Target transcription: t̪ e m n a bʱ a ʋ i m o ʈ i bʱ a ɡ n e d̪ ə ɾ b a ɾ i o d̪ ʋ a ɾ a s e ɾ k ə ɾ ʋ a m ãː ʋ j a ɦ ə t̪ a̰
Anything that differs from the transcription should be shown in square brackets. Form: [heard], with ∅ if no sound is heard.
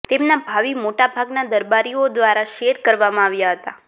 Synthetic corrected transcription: t̪ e m n a bʱ a ʋ i m o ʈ [a] bʱ a ɡ n [a] d̪ ə ɾ b a ɾ i o d̪ ʋ a ɾ a [ʃ] e ɾ k ə ɾ ʋ a m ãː ʋ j a ɦ ə t̪ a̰